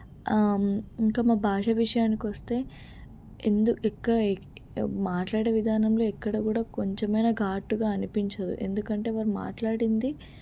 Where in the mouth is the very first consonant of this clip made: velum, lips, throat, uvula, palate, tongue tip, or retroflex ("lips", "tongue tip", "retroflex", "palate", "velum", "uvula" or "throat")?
velum